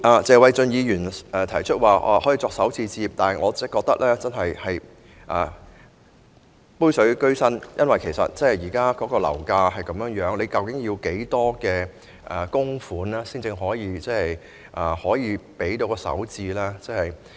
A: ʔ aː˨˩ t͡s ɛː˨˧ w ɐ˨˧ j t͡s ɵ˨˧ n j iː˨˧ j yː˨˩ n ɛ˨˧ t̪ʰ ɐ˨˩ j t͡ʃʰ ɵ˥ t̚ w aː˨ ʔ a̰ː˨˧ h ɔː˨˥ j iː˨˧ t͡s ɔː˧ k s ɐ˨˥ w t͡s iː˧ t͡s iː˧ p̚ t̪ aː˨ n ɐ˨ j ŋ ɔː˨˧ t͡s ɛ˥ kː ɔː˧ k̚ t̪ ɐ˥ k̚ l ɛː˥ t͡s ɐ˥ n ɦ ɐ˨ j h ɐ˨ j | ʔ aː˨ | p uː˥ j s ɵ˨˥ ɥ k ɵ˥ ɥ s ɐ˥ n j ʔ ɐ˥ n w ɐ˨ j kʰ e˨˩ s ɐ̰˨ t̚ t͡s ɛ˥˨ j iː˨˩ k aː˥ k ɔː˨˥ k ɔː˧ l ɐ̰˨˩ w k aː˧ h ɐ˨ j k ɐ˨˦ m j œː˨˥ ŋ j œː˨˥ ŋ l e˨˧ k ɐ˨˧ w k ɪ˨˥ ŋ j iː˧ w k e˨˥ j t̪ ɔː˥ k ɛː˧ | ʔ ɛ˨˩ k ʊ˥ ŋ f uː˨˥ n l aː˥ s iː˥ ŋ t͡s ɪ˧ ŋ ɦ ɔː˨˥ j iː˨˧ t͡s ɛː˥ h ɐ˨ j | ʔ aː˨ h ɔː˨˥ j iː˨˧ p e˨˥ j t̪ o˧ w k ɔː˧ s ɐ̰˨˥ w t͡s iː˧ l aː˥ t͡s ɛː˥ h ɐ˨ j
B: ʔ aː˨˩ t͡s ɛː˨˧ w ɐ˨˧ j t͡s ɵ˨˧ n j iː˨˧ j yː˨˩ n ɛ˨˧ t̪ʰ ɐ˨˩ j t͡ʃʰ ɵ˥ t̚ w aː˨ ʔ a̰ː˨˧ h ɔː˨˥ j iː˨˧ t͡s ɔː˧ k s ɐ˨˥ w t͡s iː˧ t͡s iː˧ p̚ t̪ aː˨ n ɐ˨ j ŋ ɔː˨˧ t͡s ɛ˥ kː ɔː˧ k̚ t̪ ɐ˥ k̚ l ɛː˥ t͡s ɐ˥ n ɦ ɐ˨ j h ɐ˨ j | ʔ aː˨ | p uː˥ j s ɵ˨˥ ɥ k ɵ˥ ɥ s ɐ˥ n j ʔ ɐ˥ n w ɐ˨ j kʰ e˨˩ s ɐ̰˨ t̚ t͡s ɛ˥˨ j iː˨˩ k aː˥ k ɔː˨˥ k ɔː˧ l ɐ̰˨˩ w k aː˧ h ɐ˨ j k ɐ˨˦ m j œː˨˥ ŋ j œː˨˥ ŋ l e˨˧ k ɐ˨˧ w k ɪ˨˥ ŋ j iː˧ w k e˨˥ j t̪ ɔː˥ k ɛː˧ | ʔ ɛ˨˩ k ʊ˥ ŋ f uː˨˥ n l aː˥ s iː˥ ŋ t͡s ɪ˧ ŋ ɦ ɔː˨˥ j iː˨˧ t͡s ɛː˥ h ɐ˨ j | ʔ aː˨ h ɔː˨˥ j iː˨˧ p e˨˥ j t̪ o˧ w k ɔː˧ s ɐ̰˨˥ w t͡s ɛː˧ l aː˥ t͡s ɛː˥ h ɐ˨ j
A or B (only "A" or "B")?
A